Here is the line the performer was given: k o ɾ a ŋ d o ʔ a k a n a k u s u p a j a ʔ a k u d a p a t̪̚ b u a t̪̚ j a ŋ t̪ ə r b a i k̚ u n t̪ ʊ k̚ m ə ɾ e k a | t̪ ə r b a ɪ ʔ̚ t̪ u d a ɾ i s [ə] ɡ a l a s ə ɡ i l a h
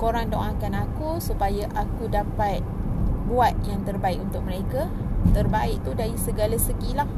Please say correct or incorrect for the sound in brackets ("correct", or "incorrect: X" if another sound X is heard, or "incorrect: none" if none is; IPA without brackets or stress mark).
correct